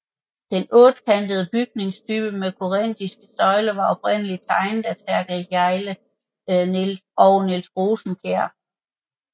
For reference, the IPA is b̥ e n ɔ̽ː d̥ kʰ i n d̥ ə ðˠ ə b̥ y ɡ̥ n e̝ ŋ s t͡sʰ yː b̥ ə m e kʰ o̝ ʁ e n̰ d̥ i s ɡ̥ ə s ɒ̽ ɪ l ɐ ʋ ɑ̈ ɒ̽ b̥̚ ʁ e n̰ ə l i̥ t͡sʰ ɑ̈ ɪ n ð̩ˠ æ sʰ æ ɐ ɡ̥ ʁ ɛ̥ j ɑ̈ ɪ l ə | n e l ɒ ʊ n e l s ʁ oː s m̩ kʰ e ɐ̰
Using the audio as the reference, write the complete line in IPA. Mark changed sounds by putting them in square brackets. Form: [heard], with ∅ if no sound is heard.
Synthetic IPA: [d̥] e n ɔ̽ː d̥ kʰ [æ] n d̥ ə ðˠ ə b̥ y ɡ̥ n e̝ ŋ s t͡sʰ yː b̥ ə m e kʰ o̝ ʁ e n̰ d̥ i s ɡ̥ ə s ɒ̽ ɪ l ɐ ʋ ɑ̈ ɒ̽ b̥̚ ʁ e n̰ ə l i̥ t͡sʰ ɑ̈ ɪ n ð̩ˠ æ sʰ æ ɐ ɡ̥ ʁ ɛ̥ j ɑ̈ ɪ l ə | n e l ɒ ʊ n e l s ʁ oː s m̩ kʰ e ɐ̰